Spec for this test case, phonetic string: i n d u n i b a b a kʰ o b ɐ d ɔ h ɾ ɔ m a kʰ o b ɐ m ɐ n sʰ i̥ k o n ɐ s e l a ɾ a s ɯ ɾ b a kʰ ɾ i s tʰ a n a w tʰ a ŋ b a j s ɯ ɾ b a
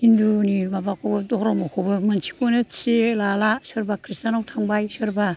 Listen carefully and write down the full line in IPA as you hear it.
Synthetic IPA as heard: i n d u n i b a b a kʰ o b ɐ d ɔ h ɾ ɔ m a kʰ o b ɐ m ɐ n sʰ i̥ k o n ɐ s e l a l a s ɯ ɾ b a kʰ ɾ i s t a n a w tʰ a ŋ b a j s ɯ ɾ b a

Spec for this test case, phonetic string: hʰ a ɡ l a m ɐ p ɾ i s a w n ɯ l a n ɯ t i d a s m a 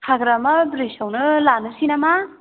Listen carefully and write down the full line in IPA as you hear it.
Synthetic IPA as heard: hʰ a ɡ ɾ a m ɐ b ɾ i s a w n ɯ l a n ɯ s i n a m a

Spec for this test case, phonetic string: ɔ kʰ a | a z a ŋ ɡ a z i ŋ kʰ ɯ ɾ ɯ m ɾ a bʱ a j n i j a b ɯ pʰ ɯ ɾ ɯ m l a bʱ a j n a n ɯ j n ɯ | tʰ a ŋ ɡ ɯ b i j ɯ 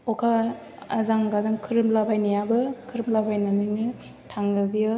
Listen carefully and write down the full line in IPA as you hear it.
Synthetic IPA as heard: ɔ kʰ a | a z a ŋ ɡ a z a ŋ kʰ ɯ ɾ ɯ m l a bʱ a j n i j a b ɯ kʰ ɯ ɾ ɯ m l a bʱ a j n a n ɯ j n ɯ | tʰ a ŋ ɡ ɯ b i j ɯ

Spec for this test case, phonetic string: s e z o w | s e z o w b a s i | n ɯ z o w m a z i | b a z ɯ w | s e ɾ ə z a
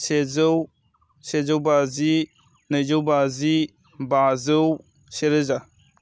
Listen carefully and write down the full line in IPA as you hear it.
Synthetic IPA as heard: s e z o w | s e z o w b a z i | n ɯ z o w b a z i | b a z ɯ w | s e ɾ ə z a

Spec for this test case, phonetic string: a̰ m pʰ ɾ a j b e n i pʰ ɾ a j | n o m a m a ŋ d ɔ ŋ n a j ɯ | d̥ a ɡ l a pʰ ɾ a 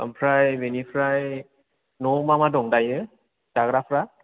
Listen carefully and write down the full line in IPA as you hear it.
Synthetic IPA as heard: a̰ m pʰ ɾ a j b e n i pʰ ɾ a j | n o m a m a d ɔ ŋ d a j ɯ | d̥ a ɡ ɾ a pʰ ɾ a

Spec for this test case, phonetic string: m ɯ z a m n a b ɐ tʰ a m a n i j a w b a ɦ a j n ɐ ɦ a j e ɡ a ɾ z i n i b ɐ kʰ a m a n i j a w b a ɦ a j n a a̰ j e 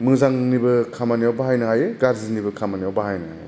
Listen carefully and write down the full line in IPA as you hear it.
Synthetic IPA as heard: m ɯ z a ŋ n i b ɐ kʰ a m a n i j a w b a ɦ a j n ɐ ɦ a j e ɡ a ɾ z i n i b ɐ kʰ a m a n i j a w b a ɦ a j n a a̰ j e

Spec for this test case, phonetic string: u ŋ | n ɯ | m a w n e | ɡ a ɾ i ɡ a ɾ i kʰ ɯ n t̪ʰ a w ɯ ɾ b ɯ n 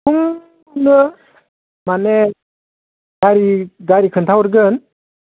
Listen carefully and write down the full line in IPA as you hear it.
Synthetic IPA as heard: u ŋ | n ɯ | m a n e | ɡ a ɾ i ɡ a ɾ i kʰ ɯ n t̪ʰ a w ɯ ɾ ɡ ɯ n

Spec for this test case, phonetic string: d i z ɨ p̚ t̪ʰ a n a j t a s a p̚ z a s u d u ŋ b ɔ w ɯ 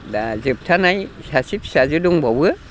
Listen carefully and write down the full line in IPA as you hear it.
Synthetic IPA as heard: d a z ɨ p̚ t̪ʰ a n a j s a s i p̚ s a z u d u ŋ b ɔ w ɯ

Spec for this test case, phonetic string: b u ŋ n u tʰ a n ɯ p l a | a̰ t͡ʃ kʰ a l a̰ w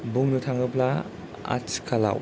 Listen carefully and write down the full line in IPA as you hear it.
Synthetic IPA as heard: b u ŋ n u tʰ a ŋ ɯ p l a | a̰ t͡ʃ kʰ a l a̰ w

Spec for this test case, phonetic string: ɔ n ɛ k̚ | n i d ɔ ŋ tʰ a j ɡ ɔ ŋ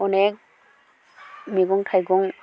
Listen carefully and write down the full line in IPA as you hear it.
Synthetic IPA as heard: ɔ n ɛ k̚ | m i ɡ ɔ ŋ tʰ a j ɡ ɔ ŋ

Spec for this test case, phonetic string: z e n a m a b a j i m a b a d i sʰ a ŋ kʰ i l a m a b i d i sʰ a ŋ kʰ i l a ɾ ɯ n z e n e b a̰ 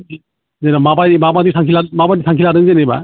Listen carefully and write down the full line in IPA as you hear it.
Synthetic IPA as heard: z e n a m a b a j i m a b a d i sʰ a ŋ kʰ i l a m a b a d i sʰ a ŋ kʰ i l a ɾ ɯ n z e n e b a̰

